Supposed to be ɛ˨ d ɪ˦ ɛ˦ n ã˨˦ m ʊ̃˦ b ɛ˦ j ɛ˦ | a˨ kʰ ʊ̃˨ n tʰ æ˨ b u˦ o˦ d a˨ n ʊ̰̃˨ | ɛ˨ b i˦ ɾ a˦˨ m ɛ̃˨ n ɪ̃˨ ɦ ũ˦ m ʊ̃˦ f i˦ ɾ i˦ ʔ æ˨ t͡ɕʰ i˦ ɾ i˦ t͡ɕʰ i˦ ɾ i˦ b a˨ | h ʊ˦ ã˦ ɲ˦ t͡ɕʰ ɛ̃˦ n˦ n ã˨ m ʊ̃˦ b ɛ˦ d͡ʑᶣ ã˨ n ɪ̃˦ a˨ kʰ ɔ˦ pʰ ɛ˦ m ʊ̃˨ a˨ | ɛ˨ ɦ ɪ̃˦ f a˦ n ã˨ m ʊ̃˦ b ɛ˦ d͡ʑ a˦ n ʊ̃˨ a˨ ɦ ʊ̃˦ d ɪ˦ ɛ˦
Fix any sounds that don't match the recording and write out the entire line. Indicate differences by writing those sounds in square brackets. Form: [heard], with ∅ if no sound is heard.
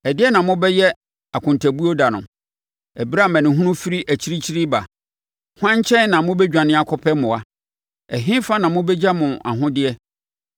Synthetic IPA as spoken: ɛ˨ d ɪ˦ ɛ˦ n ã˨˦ m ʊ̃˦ b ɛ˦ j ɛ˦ | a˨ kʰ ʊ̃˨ n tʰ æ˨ b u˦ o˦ d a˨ n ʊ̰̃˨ | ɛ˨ b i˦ ɾ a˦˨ m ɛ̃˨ n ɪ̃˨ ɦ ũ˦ [n] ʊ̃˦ f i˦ ɾ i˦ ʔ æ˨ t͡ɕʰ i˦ ɾ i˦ t͡ɕʰ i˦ ɾ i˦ b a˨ | h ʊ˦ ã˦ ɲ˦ t͡ɕʰ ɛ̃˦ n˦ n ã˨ m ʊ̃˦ b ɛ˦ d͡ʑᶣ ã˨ n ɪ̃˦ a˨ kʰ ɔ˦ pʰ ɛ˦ m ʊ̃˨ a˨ | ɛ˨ ɦ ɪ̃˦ f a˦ n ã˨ m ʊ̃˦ b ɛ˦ d͡ʑ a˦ [m] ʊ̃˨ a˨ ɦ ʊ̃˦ d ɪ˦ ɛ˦